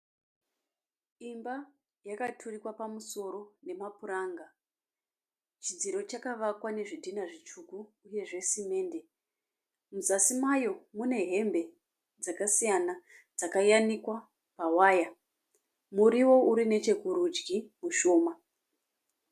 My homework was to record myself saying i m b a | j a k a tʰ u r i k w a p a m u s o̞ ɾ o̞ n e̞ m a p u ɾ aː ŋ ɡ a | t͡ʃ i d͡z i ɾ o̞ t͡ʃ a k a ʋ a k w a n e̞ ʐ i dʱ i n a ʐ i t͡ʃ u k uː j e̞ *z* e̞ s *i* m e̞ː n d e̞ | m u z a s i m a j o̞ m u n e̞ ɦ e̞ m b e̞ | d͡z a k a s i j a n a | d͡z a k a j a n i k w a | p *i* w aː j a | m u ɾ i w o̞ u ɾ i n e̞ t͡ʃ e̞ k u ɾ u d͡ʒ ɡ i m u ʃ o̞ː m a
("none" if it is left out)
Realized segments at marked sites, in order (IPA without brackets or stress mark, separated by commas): ʐ, i, a